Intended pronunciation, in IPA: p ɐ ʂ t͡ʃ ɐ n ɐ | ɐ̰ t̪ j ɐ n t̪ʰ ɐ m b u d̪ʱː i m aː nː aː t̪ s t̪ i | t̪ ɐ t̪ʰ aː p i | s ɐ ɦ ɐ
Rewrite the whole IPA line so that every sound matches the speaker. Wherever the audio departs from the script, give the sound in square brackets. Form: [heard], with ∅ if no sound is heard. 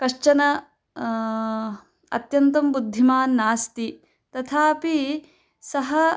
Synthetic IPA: [k] ɐ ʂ t͡ʃ ɐ n ɐ | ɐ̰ t̪ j ɐ n [t̪] ɐ m b u d̪ʱː i m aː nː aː [∅] s t̪ i | t̪ ɐ t̪ʰ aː p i | s ɐ ɦ ɐ